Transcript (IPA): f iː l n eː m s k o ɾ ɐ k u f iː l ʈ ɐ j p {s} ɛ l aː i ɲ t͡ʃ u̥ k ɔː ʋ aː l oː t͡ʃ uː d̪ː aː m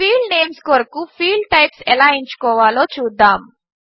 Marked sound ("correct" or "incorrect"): correct